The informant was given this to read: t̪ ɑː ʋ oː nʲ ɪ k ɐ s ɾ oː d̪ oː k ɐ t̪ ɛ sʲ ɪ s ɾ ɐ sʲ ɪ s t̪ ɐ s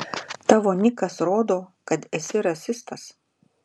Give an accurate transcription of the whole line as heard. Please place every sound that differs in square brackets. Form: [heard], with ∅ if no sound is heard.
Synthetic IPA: t̪ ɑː ʋ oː nʲ ɪ k ɐ s ɾ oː d̪ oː k ɐ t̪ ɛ sʲ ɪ [∅] ɾ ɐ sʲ ɪ s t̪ ɐ s